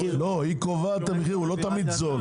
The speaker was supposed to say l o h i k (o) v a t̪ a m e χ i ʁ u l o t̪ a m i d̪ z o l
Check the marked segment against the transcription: correct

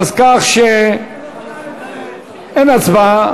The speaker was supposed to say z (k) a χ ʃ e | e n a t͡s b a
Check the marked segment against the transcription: correct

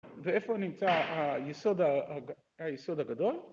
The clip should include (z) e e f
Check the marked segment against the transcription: incorrect: v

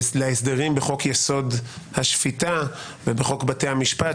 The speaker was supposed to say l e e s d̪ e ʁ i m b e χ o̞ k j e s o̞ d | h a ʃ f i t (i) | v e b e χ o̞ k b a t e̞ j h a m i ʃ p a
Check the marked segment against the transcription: incorrect: a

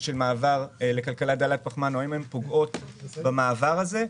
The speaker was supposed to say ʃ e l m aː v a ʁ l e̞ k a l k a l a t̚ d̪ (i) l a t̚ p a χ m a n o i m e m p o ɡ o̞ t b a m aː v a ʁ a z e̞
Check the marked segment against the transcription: incorrect: a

